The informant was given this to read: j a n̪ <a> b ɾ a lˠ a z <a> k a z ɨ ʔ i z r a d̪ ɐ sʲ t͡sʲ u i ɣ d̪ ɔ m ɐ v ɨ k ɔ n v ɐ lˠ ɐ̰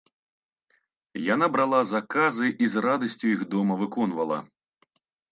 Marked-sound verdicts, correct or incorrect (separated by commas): correct, correct